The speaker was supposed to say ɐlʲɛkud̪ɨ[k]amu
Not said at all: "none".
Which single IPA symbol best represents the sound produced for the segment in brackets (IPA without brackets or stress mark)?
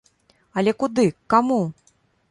k